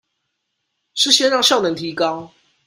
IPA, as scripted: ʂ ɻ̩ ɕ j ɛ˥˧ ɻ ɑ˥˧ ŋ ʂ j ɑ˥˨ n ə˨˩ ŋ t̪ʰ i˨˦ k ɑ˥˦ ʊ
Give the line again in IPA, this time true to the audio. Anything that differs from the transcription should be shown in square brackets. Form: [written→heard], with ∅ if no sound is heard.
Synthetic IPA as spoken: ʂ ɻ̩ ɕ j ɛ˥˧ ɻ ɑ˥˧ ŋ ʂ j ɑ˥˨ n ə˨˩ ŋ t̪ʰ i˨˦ k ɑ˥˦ ʊ